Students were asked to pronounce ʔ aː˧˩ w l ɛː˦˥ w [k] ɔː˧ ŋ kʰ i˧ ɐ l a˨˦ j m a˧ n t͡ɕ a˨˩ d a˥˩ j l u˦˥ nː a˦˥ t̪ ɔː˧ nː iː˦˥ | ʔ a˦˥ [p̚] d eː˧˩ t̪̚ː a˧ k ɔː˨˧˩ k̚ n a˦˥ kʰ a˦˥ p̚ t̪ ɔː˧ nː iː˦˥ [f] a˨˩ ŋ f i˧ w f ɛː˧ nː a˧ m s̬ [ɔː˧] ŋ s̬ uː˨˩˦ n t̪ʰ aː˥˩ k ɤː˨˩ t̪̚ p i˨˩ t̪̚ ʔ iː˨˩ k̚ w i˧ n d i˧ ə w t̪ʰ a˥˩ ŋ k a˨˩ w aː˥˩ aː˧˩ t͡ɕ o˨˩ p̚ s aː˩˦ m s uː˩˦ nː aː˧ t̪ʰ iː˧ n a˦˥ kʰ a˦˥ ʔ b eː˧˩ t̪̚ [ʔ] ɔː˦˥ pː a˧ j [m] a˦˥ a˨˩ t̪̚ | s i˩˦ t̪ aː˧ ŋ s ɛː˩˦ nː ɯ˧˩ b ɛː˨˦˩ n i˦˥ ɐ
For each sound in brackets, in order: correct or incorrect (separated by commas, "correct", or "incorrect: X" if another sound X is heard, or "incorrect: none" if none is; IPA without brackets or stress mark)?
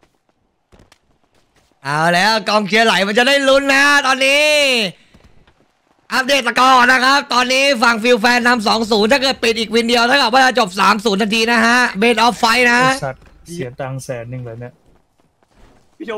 correct, correct, correct, incorrect: ɔː˩˦, correct, incorrect: n